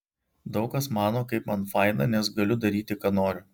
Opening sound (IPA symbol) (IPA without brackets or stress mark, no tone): d̪